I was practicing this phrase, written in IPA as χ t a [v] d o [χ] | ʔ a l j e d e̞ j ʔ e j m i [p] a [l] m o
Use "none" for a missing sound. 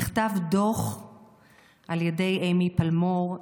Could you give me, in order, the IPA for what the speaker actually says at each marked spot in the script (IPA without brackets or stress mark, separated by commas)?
v, χ, p, l